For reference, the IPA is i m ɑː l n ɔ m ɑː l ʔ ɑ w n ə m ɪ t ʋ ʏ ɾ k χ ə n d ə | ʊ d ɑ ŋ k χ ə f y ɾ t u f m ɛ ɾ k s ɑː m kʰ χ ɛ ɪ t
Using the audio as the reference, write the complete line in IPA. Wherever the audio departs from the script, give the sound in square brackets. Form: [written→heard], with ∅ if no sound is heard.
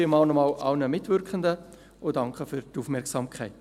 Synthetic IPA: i m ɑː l n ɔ m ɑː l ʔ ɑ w n ə m ɪ t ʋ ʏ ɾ k χ ə n d ə | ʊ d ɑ ŋ k χ ə f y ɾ t u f m ɛ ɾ k s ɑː m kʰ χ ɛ ɪ t